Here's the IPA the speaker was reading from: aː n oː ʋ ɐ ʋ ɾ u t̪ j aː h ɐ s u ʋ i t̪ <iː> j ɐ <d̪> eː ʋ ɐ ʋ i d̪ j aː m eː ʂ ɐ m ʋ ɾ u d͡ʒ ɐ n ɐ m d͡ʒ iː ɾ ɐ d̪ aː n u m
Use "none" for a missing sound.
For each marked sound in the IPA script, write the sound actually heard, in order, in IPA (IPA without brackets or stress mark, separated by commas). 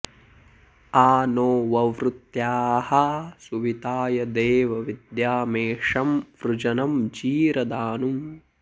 aː, d̪